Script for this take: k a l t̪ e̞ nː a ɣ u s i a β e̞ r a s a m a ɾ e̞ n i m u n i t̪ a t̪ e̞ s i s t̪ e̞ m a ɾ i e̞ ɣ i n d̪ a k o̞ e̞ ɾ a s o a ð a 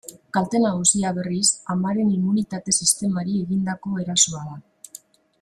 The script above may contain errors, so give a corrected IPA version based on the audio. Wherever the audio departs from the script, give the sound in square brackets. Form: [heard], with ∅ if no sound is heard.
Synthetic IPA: k a l t̪ e̞ [n] a ɣ u s i a β e̞ r [i] s a m a ɾ e̞ n i m u n i t̪ a t̪ e̞ s i s t̪ e̞ m a ɾ i e̞ ɣ i n d̪ a k o̞ e̞ ɾ a s o a ð a